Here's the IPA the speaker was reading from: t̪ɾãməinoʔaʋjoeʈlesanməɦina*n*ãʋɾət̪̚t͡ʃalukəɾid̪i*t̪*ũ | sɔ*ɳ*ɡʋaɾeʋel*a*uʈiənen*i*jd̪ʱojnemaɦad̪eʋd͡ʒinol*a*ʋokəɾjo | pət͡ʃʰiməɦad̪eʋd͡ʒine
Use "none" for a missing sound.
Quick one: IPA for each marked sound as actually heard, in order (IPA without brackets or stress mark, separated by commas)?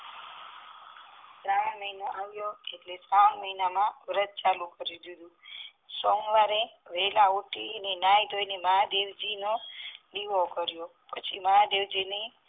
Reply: m, d̪, ŋ, a, a, i